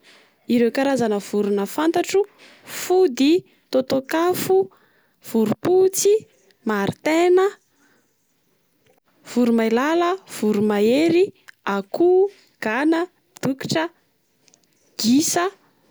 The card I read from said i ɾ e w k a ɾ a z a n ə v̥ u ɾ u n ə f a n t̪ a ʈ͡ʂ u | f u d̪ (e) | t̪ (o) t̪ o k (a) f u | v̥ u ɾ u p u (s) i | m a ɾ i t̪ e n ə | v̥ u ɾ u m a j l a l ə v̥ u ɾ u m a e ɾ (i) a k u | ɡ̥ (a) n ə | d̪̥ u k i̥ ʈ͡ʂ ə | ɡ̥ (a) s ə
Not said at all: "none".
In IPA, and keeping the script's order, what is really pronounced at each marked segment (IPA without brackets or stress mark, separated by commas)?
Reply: i, o, a, t͡s, i, a, i